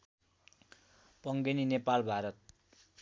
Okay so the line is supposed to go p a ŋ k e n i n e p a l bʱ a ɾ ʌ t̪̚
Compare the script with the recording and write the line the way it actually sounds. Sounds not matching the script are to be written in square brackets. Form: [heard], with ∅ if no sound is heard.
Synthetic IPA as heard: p [ʌ] ŋ [ɡ] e n i n e p a l bʱ a ɾ ʌ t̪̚